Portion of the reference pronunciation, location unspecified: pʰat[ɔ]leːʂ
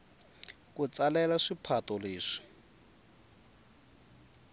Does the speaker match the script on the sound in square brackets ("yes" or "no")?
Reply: yes